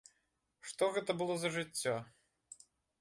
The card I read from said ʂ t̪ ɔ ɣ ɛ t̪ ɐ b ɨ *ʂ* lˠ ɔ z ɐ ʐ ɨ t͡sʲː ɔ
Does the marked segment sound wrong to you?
yes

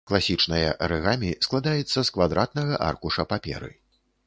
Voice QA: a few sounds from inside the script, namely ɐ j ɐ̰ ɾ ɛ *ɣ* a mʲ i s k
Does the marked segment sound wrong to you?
no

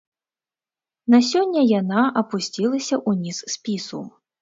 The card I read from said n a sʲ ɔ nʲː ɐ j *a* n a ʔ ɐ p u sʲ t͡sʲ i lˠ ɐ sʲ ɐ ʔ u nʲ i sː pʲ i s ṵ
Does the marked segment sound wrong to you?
no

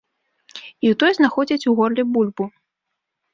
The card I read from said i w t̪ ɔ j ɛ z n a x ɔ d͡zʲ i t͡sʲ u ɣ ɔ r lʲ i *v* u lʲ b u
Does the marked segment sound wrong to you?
yes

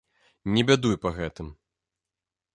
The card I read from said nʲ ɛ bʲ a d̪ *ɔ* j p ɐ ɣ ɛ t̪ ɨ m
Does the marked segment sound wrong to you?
yes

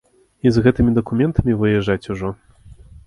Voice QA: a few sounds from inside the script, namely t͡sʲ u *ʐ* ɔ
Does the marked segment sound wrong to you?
no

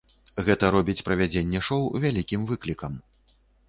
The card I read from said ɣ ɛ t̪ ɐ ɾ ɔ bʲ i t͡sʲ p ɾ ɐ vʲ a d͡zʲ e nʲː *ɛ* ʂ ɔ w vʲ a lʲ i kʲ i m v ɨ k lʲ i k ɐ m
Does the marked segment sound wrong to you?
no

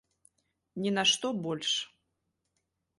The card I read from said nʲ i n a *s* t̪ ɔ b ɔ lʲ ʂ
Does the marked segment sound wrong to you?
yes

